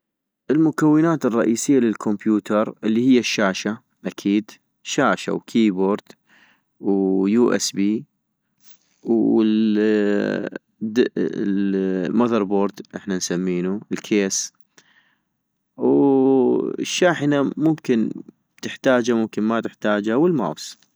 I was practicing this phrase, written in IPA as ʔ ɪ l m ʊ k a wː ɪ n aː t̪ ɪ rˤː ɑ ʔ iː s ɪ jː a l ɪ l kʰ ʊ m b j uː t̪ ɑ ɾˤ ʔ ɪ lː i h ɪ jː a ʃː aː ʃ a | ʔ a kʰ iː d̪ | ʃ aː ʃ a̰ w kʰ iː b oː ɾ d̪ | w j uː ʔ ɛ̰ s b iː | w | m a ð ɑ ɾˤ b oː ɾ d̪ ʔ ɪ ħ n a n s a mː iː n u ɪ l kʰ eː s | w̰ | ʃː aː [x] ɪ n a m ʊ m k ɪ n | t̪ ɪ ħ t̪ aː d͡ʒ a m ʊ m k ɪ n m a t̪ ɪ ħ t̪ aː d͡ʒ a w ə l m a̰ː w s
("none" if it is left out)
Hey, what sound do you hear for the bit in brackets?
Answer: ħ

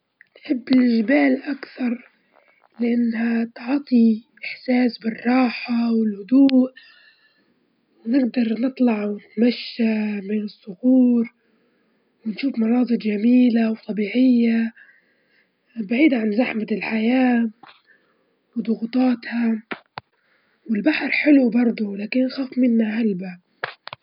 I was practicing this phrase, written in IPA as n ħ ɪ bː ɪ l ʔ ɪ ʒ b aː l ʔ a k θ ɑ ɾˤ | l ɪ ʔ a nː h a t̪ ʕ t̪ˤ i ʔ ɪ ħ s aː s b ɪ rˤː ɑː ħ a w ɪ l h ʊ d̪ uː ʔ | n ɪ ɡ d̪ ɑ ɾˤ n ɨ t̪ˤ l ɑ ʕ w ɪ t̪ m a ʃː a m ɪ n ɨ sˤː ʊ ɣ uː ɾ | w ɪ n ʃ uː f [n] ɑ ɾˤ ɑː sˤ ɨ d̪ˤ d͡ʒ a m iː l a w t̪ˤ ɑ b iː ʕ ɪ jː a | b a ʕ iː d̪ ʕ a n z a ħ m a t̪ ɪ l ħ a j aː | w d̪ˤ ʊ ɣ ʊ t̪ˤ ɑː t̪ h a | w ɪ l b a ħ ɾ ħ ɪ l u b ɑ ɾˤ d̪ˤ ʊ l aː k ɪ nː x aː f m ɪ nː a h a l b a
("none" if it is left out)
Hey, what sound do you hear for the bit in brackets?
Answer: m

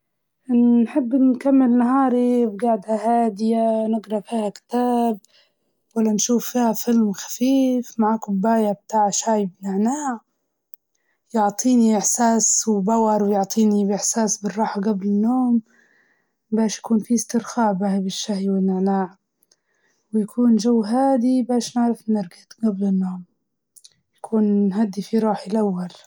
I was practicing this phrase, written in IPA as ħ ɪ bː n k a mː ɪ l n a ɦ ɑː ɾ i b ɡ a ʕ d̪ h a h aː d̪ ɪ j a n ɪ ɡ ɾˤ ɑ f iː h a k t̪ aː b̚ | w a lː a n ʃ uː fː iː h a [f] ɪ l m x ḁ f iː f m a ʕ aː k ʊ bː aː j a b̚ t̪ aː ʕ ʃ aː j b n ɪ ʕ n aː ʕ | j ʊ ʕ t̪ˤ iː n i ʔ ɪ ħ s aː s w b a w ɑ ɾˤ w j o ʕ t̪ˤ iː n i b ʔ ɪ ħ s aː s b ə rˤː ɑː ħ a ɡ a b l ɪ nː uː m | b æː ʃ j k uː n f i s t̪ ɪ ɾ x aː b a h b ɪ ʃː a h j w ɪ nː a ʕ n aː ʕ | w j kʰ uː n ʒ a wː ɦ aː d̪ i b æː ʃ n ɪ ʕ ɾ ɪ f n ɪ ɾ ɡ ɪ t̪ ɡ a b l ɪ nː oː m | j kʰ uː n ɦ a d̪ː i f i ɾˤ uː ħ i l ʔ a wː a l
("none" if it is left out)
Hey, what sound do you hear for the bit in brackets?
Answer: f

